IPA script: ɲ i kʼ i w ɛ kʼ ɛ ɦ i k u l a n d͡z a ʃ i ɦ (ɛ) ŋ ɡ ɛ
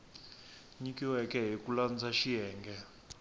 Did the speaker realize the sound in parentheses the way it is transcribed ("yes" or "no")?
no